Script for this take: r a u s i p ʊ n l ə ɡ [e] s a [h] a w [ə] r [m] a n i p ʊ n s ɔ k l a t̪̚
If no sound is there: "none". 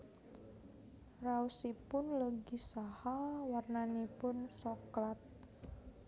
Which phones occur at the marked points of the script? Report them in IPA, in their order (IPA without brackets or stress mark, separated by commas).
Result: i, h, a, n